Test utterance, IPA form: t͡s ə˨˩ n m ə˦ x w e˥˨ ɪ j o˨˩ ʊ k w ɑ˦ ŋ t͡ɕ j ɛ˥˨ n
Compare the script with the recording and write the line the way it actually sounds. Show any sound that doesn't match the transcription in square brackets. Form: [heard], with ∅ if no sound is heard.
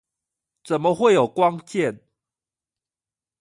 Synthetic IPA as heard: t͡s ə˨˩ n m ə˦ x w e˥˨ ɪ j o˨˩ ʊ k w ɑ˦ ŋ t͡ɕ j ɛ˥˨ n